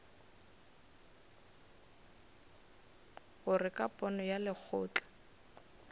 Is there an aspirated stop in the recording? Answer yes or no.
yes